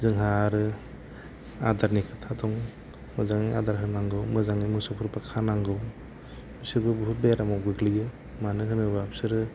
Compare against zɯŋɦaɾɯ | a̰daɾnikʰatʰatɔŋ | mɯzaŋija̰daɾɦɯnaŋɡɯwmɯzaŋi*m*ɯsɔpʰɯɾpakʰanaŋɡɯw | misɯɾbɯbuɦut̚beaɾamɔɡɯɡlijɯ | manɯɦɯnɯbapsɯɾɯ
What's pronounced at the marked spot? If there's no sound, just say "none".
m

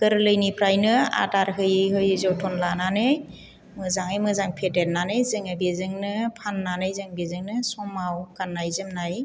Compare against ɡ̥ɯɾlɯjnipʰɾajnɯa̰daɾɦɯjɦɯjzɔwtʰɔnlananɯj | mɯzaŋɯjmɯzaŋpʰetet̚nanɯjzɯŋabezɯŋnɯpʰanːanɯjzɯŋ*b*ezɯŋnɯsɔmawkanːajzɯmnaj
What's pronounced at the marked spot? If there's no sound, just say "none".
b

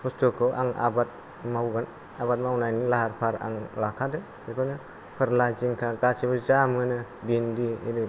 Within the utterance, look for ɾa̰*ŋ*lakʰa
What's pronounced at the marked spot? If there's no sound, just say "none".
ŋ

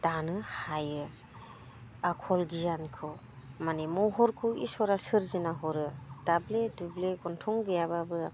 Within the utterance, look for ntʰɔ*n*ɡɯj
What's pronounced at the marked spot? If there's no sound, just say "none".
ŋ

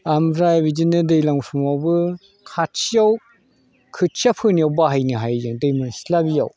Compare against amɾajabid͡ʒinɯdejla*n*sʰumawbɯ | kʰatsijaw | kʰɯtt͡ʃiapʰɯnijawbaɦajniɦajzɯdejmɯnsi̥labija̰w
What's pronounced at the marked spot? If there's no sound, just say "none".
ŋ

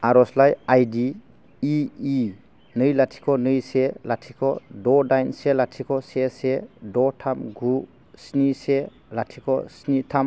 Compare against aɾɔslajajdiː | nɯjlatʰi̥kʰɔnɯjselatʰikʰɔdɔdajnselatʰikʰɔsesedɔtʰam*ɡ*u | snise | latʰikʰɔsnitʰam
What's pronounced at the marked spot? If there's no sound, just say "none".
ɡ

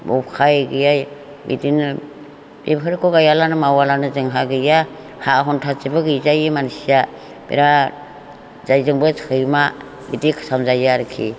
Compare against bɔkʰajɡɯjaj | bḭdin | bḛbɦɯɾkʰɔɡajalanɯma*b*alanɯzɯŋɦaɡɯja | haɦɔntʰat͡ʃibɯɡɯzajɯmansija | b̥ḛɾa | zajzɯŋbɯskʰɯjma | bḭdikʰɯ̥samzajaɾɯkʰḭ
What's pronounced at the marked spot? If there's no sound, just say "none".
w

